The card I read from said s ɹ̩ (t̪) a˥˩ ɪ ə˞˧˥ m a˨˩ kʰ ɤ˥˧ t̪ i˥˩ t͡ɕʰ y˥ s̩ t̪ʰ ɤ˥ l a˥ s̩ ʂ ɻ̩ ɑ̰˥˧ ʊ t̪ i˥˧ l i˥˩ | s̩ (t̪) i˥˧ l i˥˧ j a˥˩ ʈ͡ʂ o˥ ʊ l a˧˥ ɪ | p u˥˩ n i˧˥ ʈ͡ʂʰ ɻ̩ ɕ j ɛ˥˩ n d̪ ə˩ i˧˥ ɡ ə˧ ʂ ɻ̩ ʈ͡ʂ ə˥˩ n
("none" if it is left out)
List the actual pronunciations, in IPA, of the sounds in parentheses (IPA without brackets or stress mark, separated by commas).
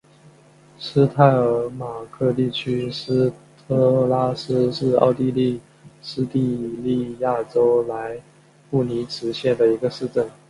t̪ʰ, t̪